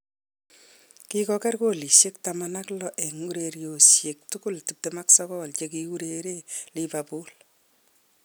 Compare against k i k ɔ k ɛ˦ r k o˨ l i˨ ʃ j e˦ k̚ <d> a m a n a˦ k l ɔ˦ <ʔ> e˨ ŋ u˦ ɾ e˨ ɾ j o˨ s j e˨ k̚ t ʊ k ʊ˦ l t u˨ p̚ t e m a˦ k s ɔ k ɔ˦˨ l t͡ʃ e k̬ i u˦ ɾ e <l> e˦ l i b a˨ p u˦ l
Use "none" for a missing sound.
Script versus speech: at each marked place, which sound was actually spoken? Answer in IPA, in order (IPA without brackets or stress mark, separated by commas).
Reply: t, ʔ, ɾ